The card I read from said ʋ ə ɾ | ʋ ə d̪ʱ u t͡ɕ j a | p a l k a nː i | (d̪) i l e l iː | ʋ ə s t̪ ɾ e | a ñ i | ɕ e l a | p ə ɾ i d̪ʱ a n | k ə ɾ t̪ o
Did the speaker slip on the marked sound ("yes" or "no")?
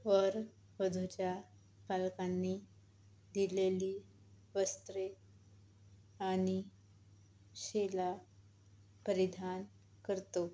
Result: no